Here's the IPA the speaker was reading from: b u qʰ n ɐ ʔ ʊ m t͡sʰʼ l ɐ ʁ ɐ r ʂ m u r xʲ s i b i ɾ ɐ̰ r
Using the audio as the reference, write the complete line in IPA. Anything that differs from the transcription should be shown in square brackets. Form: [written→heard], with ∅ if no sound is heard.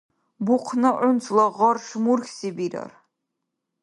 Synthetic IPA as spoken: b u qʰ n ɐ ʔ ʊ [m→n] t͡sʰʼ l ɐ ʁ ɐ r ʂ m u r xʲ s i b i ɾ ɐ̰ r

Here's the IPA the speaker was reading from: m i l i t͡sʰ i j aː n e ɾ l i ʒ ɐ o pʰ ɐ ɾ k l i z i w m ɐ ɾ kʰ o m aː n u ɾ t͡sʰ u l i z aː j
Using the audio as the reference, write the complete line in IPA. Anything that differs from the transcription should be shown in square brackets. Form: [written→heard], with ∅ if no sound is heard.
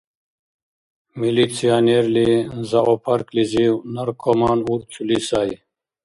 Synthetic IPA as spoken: m i l i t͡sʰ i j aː n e ɾ l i [ʒ→z] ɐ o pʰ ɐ ɾ k l i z i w [m→n] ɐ ɾ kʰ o m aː n u ɾ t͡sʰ u l i [z→s] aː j

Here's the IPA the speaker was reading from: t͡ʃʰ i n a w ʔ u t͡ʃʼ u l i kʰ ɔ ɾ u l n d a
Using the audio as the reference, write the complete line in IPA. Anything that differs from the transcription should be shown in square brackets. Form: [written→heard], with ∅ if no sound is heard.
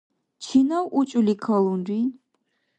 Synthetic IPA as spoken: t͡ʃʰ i n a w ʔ u t͡ʃʼ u l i kʰ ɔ [ɾ→l] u [l→∅] n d [a→i]

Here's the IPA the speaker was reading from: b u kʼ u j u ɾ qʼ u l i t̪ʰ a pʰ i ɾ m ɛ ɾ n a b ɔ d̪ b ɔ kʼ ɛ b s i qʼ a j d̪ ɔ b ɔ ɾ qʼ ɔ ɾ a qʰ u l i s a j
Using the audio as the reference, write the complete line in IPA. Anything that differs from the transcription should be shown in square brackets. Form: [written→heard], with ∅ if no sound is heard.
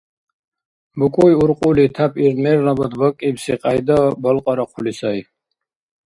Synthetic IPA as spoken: b u kʼ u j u ɾ qʼ u l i t̪ʰ a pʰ i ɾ m ɛ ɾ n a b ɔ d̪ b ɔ kʼ [ɛ→i] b s i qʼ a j d̪ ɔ b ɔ [ɾ→l] qʼ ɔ ɾ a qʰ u l i s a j

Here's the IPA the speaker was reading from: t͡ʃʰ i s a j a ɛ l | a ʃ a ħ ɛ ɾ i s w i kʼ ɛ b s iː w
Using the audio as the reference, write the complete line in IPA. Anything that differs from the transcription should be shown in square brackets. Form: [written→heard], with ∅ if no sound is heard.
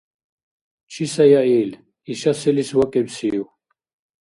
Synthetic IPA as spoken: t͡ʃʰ i s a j a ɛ l | [a→i] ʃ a [ħ→s] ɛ [ɾ→l] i s w [i→a] kʼ ɛ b s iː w

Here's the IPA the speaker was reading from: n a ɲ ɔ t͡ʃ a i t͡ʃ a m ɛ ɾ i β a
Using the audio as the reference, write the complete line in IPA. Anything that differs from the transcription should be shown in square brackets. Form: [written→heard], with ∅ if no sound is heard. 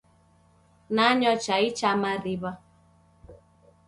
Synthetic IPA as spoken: n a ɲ ɔ t͡ʃ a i t͡ʃ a m [ɛ→a] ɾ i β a

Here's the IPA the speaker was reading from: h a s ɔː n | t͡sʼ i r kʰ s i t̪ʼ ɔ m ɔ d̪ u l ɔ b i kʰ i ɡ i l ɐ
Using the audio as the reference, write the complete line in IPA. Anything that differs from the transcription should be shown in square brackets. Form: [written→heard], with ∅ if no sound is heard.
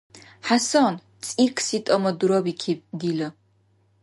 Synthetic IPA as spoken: [h→ħ] a s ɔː n | t͡sʼ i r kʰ s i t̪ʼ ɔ m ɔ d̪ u [l→ɾ] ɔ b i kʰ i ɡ i l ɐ

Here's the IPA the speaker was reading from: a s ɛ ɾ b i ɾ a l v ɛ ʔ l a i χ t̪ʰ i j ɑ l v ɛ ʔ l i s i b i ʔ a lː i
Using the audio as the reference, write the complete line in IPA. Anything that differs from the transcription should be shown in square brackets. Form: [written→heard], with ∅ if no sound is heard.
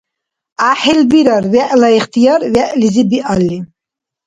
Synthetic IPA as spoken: a [s→ħ] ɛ [ɾ→l] b i ɾ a [l→ɾ] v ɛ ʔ l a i χ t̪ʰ i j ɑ [l→ɾ] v ɛ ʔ l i [s→z] i b i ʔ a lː i

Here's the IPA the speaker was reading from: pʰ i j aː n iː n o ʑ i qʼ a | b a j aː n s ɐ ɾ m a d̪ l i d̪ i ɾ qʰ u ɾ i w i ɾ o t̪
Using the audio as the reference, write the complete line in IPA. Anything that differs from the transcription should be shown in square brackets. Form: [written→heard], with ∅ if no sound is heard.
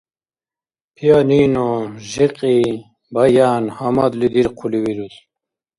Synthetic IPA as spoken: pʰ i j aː n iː n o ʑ i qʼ [a→i] | b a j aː n [s→h] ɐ [ɾ→∅] m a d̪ l i d̪ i ɾ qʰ u [ɾ→l] i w i ɾ [o→u] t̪

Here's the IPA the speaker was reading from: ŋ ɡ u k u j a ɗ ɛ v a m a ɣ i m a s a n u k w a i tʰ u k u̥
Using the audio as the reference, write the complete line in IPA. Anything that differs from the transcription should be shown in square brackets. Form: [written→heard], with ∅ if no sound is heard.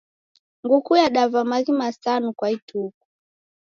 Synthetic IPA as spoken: ŋ ɡ u k u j a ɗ [ɛ→a] v a m a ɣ i m a s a n u k w a i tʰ u k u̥

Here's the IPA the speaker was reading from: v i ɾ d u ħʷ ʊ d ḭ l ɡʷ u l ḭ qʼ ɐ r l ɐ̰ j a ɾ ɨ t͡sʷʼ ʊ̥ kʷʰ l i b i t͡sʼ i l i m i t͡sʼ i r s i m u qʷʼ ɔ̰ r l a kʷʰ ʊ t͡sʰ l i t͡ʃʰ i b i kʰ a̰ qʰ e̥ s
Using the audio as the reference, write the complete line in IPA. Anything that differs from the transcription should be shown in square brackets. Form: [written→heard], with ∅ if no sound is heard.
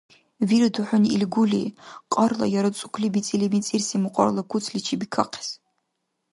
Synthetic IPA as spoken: v i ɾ d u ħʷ ʊ [d→n] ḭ l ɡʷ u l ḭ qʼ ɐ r l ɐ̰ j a ɾ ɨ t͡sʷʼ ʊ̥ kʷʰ l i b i t͡sʼ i l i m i t͡sʼ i r s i m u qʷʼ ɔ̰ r l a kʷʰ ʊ t͡sʰ l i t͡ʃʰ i b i kʰ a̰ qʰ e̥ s

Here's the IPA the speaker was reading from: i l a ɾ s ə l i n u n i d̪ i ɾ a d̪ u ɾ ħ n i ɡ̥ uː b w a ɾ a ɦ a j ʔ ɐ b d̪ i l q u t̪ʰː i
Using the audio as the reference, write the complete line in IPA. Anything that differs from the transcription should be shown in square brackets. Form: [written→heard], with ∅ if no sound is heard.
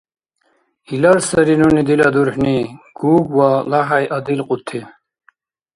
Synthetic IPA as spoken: i l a ɾ s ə [l→ɾ] i n u n i d̪ i [ɾ→l] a d̪ u ɾ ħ n i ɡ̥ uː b w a [ɾ→l] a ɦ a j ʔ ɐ [b→∅] d̪ i l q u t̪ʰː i

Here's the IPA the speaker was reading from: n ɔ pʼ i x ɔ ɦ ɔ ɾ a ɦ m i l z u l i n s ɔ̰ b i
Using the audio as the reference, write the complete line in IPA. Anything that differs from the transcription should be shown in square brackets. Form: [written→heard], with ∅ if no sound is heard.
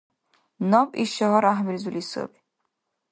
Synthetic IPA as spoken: n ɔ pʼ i [x→ʃ] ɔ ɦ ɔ ɾ a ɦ m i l z u l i [n→∅] s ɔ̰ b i

